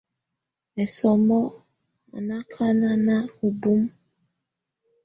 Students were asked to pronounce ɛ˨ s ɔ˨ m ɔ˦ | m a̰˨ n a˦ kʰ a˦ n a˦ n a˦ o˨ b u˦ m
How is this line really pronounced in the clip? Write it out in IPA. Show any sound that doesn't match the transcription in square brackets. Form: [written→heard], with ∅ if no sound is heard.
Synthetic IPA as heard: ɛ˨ s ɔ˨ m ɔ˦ | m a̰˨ n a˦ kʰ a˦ n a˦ n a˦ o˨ b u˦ m

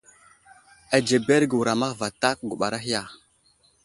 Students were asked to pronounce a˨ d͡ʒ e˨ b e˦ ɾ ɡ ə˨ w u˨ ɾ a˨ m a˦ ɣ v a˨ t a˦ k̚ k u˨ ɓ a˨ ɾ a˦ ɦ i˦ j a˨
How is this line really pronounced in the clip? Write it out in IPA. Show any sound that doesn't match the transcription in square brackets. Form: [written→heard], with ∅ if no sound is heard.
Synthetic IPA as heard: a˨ d͡ʒ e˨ b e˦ ɾ ɡ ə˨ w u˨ ɾ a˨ m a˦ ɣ v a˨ t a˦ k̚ [k→ɡ] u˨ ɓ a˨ ɾ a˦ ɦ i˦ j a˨

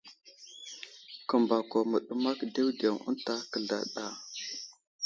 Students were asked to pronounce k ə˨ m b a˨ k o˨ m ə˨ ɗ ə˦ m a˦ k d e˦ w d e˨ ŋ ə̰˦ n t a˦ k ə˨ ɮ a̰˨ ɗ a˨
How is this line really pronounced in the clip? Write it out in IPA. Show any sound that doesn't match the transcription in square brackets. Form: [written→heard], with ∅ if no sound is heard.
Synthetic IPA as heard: k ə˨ m b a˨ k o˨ m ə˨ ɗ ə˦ m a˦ k d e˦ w d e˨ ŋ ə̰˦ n t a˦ k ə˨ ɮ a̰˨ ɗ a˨

